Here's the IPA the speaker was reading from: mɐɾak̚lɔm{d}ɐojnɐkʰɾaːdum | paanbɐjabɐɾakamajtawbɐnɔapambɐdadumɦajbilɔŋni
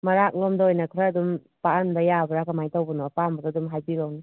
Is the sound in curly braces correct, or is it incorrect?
correct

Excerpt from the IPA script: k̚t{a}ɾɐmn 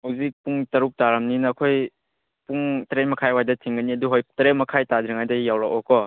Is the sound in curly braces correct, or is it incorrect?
correct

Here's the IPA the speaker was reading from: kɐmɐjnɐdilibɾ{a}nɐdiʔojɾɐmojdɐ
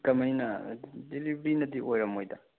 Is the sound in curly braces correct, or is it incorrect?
incorrect: i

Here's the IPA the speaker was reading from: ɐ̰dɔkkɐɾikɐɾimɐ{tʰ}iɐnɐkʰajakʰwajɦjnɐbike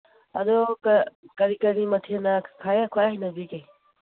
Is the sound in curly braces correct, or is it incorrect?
correct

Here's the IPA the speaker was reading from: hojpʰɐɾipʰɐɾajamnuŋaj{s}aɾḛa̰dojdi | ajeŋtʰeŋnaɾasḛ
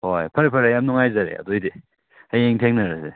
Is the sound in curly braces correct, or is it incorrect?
incorrect: z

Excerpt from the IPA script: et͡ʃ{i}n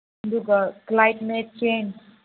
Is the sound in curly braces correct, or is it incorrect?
incorrect: e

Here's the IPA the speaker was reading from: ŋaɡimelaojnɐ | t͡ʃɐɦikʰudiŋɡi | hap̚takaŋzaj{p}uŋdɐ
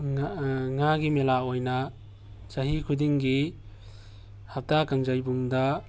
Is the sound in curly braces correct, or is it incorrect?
incorrect: b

